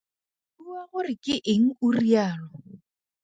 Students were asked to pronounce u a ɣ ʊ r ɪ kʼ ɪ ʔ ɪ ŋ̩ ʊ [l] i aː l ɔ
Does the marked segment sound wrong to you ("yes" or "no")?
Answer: yes